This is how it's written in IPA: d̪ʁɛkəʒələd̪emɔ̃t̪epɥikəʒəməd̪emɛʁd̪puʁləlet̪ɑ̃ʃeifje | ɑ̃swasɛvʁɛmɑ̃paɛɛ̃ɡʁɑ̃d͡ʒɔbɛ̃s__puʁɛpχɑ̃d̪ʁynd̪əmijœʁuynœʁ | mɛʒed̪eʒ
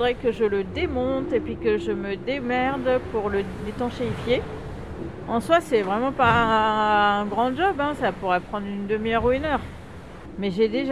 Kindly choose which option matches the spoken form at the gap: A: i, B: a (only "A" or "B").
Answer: B